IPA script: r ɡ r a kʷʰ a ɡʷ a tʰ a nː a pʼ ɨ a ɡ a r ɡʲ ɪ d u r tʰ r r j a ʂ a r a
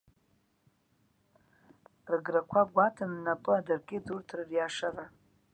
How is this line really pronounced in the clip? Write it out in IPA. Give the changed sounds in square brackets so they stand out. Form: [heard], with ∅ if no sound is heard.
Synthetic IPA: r ɡ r a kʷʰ a ɡʷ a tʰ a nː a pʼ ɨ a [d] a r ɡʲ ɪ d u r tʰ r r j a ʂ a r a